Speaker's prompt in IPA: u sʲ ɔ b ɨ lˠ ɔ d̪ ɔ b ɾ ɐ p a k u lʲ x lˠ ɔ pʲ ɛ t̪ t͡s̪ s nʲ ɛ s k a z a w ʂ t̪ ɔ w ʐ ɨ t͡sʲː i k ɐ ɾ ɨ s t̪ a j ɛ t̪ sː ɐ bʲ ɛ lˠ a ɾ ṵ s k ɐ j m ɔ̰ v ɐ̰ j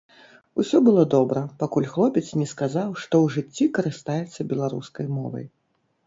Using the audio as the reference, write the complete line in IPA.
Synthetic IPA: u sʲ ɔ b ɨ lˠ ɔ d̪ ɔ b ɾ ɐ p a k u lʲ x lˠ ɔ pʲ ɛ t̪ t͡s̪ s nʲ ɛ s k a z a w ʂ t̪ ɔ w ʐ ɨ t͡sʲː i k ɐ ɾ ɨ s t̪ a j ɛ t̪ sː ɐ bʲ ɛ lˠ a ɾ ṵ s k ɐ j m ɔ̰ v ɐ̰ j